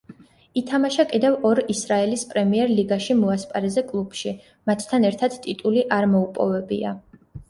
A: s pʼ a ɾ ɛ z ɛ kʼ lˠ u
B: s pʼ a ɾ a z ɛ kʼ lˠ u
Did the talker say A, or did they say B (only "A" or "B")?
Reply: A